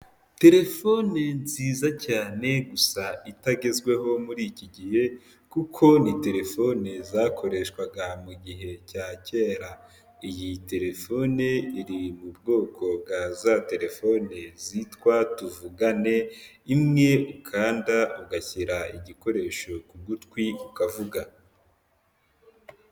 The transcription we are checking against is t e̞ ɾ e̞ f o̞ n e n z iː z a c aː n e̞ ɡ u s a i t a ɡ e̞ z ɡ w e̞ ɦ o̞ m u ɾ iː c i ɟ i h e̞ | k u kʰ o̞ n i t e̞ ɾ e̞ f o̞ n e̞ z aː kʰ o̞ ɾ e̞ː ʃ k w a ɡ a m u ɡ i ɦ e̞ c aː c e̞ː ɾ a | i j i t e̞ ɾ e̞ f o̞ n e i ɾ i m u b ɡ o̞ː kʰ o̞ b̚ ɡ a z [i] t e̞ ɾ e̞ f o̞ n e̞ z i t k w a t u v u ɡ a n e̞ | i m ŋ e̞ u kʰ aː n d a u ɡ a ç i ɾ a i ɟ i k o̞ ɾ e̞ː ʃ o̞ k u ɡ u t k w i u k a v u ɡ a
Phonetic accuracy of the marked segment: incorrect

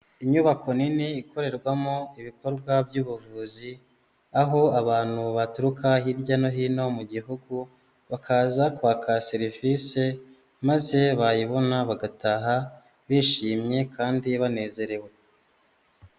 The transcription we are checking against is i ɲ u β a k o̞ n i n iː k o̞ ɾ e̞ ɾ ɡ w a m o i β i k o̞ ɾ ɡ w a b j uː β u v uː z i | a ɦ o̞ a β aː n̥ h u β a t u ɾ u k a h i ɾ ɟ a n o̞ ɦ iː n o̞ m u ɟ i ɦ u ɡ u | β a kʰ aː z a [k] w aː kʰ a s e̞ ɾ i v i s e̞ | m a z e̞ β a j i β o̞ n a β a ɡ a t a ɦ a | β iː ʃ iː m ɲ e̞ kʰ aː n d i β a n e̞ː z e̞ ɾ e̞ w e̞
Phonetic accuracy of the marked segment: correct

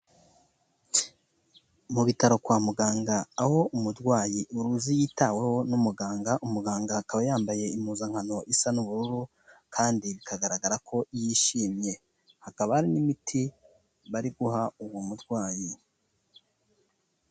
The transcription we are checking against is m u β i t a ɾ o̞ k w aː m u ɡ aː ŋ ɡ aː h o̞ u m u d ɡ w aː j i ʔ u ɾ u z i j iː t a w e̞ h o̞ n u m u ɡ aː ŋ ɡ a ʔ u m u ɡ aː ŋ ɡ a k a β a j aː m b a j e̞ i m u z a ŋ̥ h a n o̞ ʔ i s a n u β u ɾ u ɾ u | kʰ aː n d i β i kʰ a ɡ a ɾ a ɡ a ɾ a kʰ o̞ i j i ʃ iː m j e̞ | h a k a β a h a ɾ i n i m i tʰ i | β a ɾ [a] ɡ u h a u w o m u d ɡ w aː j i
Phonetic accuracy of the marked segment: incorrect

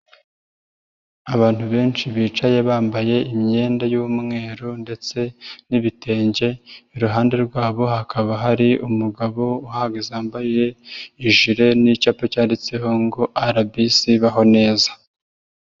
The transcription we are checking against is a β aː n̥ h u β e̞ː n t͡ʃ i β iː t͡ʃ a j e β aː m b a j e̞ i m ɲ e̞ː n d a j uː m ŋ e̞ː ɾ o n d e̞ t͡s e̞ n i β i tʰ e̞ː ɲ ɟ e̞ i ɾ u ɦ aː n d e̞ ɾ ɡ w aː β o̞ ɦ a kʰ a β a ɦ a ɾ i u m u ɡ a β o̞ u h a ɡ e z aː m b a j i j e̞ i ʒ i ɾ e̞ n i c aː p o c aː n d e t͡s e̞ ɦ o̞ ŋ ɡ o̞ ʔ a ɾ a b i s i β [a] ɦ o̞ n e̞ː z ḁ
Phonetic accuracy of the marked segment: correct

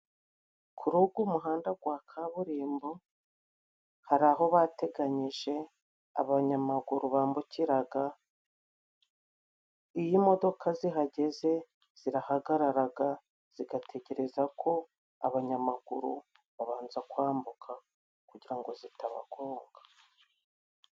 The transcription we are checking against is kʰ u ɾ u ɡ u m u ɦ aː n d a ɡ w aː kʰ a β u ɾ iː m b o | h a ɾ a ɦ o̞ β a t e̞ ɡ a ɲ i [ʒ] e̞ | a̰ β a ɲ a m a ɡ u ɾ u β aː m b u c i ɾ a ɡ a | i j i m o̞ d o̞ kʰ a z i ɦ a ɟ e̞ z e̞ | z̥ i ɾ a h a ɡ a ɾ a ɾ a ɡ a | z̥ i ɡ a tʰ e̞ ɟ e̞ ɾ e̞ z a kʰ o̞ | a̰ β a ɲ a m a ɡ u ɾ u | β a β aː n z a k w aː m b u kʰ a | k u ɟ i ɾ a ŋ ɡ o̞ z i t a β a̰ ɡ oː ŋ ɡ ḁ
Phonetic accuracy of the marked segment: correct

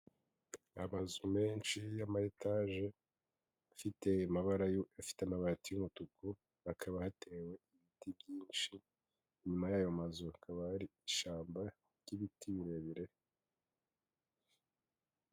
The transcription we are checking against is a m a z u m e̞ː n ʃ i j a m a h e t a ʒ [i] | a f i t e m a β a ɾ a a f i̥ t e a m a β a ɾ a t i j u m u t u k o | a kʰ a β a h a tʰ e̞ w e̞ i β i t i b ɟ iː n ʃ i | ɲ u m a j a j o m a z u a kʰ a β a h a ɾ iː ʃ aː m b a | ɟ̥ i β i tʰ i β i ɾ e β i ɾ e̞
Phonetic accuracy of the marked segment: incorrect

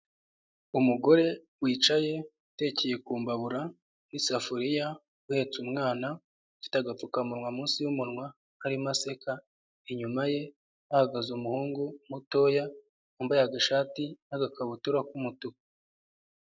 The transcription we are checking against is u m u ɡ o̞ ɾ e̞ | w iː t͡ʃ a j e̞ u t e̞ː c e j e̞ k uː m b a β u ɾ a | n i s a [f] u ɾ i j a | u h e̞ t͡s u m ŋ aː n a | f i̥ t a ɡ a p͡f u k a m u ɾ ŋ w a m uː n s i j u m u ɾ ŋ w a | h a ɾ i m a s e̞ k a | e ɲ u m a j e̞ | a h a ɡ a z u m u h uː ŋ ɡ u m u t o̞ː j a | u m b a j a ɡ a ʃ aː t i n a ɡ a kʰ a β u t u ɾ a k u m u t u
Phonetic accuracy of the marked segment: correct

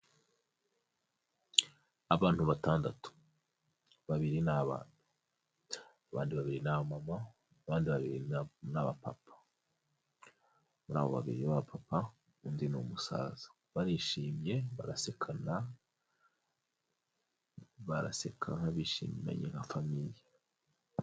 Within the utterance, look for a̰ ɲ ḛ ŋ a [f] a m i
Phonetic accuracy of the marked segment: correct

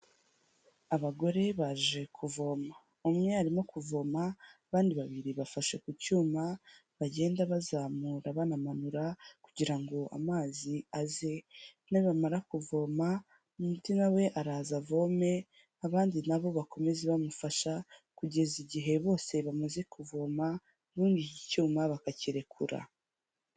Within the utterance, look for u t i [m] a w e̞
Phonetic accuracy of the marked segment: incorrect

